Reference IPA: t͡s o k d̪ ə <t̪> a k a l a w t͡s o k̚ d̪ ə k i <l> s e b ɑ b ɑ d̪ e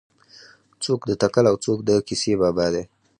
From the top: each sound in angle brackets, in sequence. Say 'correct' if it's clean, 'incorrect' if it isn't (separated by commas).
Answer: correct, incorrect